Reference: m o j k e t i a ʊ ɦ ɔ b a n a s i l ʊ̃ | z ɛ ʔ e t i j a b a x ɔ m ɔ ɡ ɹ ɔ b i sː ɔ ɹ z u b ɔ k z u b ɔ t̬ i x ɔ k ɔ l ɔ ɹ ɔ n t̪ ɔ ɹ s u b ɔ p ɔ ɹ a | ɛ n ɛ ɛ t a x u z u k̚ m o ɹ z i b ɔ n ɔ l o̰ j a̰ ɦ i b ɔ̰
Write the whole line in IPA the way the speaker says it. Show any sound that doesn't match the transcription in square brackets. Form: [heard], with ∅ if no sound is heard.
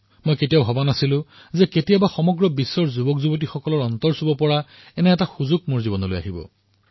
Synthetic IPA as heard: m o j k e t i a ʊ ɦ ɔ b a n a s i l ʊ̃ | z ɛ [k] e t i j a b a x ɔ m ɔ ɡ ɹ ɔ b i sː ɔ ɹ z u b ɔ k z u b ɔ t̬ i x ɔ k ɔ l ɔ ɹ ɔ n t̪ ɔ ɹ s u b ɔ p ɔ ɹ a | ɛ n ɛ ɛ t a x u z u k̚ m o ɹ z i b ɔ n ɔ l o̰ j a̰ ɦ i b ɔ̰